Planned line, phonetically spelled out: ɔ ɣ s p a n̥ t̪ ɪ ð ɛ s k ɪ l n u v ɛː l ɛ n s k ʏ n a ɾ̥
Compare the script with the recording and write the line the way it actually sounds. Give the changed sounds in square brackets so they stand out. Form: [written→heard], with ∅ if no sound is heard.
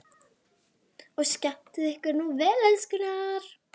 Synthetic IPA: ɔ ɣ s [p→c] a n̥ t̪ ɪ ð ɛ [s→h] k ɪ [l→ɾ] n u v ɛː l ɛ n s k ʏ n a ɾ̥